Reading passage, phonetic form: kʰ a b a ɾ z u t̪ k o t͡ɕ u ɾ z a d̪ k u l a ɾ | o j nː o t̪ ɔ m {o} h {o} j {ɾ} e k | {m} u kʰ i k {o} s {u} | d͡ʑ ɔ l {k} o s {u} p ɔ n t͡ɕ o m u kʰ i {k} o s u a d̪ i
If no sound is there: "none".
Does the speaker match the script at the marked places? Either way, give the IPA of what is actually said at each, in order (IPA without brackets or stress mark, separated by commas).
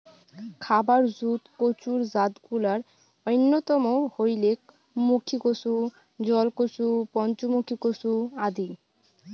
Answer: o, o, l, m, o, u, k, u, k